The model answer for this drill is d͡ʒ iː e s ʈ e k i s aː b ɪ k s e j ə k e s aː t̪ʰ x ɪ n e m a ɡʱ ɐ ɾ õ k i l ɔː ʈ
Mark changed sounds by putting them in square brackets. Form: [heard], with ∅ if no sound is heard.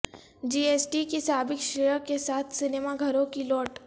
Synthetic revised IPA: d͡ʒ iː e s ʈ [i] k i s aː b ɪ k [ʃ] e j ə k e s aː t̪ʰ [s] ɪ n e m a ɡʱ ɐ ɾ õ k i l ɔː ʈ